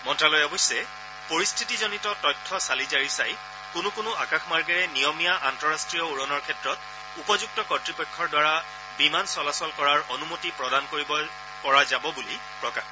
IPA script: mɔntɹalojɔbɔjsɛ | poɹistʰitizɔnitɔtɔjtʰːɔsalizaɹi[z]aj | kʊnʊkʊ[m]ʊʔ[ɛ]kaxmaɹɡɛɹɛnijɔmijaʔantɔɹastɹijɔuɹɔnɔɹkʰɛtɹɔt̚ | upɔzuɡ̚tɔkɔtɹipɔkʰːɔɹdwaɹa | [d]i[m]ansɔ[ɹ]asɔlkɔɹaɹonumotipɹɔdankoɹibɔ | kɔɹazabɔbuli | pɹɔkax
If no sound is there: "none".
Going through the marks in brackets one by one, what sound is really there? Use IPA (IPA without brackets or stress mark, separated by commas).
s, n, a, b, m, l